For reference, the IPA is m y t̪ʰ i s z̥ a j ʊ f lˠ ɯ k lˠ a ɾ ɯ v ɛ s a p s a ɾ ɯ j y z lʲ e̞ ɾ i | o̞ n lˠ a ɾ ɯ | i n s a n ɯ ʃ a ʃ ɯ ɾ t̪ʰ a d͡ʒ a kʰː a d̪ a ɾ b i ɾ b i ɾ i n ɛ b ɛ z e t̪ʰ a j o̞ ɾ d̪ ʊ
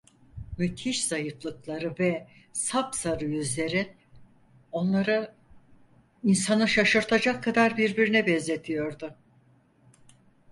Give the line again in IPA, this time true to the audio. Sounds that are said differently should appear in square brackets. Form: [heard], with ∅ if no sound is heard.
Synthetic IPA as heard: m y t̪ʰ i [ʃ] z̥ a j [ɯ] f lˠ ɯ k lˠ a ɾ ɯ v ɛ s a p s a ɾ ɯ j y z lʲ e̞ ɾ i | o̞ n lˠ a ɾ ɯ | i n s a n ɯ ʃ a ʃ ɯ ɾ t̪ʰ a d͡ʒ a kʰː a d̪ a ɾ b i ɾ b i ɾ i n ɛ b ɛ z e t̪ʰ [i] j o̞ ɾ d̪ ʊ